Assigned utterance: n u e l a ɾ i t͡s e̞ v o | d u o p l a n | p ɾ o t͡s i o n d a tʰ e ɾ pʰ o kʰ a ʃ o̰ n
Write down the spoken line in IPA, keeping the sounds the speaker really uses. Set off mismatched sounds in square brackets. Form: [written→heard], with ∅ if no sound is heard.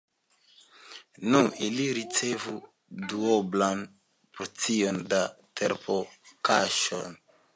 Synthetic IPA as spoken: n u [e→i] l [a→i] ɾ i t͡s e̞ v [o→u] | d u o [p→b] l a n | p ɾ o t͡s i o n d a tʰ e ɾ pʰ o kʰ a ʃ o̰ n